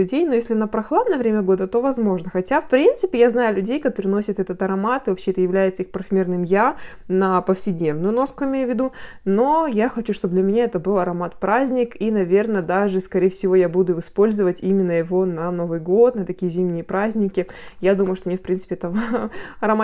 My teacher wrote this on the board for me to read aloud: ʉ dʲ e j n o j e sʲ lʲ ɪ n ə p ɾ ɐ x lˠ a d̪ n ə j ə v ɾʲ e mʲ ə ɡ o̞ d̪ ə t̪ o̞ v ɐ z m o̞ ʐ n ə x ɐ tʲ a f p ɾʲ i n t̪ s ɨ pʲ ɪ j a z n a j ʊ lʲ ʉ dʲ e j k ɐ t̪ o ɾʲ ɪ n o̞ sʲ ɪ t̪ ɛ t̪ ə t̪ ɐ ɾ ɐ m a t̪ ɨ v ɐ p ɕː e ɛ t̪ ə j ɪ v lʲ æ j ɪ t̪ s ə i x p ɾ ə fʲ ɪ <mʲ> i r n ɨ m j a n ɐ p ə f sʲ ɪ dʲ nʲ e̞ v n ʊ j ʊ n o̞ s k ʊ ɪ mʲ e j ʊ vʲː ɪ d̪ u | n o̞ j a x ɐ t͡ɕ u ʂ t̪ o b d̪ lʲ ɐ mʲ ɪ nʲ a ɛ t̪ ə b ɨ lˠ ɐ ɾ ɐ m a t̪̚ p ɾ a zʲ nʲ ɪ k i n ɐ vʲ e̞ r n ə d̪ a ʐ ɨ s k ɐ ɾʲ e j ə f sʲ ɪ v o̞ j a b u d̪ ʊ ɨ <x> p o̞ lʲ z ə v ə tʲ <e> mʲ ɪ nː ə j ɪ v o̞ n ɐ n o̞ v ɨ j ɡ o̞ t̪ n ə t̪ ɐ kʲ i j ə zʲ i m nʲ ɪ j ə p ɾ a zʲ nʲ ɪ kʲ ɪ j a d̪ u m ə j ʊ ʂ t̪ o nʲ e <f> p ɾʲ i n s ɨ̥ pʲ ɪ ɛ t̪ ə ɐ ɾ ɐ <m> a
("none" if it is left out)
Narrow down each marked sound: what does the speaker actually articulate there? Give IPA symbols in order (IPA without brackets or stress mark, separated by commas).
mʲ, s, i, f, m